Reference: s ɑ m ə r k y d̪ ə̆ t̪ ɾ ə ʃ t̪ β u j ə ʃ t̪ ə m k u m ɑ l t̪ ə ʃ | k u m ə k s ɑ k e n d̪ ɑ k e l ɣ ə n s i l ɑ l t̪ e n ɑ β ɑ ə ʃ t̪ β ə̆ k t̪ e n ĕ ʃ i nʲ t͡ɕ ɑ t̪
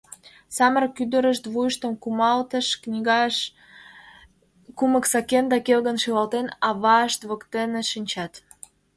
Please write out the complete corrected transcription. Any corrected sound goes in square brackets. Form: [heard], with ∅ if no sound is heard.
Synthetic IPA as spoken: s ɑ m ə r k y d̪ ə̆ [∅] ɾ ə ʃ t̪ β u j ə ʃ t̪ ə m k u m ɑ l t̪ ə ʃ | k u m ə k s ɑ k e n d̪ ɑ k e l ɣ ə n [ʃ] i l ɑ l t̪ e n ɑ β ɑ ə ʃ t̪ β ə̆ k t̪ e n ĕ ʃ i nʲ t͡ɕ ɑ t̪